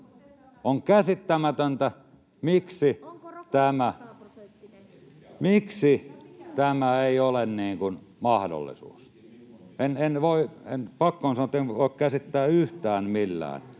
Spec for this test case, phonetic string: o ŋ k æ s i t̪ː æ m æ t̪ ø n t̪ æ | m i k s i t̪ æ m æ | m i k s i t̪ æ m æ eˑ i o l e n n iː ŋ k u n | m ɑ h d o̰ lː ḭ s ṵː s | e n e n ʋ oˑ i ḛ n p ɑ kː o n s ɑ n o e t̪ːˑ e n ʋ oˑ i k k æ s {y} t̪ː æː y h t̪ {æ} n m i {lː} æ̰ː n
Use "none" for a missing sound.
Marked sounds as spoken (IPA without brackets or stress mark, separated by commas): i, æː, lː